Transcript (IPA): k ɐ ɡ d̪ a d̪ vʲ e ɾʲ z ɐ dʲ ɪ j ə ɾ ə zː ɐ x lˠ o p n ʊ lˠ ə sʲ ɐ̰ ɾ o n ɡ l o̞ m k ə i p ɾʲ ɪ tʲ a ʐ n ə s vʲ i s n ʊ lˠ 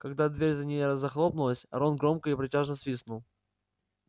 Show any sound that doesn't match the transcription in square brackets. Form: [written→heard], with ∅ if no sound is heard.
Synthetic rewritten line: k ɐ ɡ d̪ a d̪ vʲ e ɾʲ z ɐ [dʲ→nʲ] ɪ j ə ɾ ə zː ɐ x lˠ o p n ʊ lˠ ə sʲ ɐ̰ ɾ o n ɡ [l→ɾ] o̞ m k ə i p ɾʲ ɪ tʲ a ʐ n ə s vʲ i s n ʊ lˠ